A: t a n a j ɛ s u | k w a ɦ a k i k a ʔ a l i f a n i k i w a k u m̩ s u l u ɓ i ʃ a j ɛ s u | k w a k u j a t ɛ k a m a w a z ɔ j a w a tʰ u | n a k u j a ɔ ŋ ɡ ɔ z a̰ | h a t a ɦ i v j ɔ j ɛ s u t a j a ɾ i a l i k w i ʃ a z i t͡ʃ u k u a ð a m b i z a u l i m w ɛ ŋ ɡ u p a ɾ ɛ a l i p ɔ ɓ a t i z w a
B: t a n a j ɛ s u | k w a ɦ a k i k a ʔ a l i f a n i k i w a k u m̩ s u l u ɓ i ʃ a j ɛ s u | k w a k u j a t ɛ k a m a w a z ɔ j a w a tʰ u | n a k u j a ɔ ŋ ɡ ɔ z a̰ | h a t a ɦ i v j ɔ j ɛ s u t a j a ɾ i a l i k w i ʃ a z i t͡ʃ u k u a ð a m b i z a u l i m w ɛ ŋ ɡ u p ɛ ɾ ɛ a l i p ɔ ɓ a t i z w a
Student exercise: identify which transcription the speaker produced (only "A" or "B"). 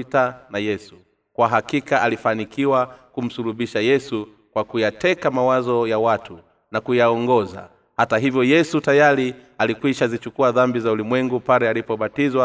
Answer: A